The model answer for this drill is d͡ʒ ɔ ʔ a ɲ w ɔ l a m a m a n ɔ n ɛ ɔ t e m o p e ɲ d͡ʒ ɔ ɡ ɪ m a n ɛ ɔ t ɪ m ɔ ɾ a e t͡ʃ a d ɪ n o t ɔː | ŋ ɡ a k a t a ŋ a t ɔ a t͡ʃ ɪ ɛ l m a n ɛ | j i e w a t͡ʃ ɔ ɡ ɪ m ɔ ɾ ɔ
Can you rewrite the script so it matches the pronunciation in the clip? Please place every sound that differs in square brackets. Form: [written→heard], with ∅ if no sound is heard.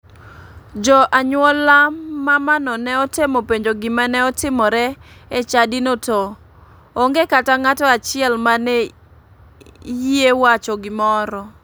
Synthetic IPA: d͡ʒ ɔ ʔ a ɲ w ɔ l a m a m a n ɔ n ɛ ɔ t e m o p e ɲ d͡ʒ [ɔ→o] ɡ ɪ m a n ɛ ɔ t ɪ m ɔ ɾ [a→ɛ] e t͡ʃ a d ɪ n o t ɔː | ŋ ɡ [a→e] k a t a ŋ a t ɔ a t͡ʃ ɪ ɛ l m a n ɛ | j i e w a t͡ʃ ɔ ɡ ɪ m ɔ ɾ ɔ